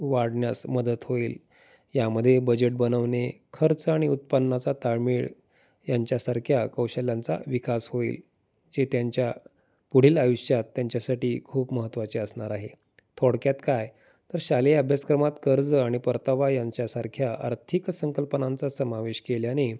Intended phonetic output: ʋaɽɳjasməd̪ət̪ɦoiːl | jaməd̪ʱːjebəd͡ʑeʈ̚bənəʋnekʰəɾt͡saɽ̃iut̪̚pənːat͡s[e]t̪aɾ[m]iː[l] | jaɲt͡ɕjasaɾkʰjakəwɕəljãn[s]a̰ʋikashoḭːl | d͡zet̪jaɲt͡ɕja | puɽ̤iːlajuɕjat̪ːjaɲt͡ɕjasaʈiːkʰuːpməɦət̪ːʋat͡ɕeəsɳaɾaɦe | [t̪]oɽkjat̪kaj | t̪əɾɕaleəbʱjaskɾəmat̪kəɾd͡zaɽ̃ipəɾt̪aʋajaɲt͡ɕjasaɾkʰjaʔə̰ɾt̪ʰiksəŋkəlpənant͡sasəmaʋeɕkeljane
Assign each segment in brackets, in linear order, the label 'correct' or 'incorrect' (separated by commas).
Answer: incorrect, correct, incorrect, incorrect, incorrect